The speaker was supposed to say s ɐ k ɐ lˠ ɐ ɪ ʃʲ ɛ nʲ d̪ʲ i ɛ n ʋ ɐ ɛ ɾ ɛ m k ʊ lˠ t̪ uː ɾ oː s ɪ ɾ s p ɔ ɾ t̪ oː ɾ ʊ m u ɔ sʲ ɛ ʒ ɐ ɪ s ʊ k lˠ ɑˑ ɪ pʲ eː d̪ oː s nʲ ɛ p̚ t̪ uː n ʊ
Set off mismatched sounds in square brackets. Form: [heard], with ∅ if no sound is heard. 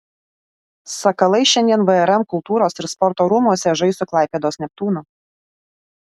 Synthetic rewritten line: s ɐ k ɐ lˠ ɐ ɪ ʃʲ ɛ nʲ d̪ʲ i ɛ n ʋ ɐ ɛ ɾ ɛ m k ʊ lˠ t̪ uː ɾ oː s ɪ ɾ s p ɔ ɾ t̪ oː ɾ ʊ m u ɔ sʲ ɛ ʒ ɐ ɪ s ʊ k lˠ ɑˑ ɪ pʲ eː d̪ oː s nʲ ɛ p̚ t̪ uː n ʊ